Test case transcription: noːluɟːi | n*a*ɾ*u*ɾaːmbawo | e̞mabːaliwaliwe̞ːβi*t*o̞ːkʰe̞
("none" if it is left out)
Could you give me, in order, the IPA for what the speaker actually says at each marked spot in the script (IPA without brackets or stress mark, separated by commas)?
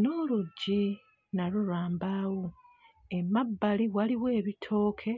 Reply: a, u, tʰ